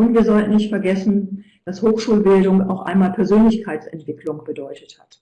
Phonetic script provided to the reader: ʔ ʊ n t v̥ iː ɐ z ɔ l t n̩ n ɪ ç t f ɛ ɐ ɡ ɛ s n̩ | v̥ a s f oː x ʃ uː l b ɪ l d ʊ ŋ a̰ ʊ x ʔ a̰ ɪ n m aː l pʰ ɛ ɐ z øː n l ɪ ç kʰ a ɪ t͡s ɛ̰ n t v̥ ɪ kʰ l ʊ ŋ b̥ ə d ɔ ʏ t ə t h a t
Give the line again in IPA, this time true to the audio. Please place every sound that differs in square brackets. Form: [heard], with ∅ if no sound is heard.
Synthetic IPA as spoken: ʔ ʊ n t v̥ iː ɐ z ɔ l t n̩ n ɪ ç t f ɛ ɐ ɡ ɛ s n̩ | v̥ a s [h] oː x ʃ uː l b ɪ l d ʊ ŋ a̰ ʊ x ʔ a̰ ɪ n m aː l pʰ ɛ ɐ z øː n l ɪ ç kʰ a ɪ t͡s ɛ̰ n t v̥ ɪ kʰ l ʊ ŋ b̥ ə d ɔ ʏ t ə t h a t